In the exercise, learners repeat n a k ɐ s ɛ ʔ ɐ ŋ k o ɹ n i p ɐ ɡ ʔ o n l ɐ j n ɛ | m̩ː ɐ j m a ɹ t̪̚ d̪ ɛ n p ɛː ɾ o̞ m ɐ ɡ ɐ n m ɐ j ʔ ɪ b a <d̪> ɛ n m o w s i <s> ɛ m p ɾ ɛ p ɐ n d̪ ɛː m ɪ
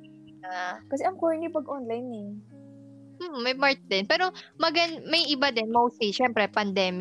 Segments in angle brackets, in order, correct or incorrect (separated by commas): correct, incorrect